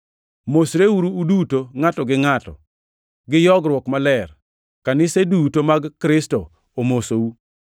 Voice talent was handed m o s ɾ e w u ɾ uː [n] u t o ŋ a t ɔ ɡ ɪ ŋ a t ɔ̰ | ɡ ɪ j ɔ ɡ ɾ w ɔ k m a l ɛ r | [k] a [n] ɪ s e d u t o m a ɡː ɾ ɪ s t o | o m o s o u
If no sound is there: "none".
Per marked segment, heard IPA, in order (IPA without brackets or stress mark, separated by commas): d, k, n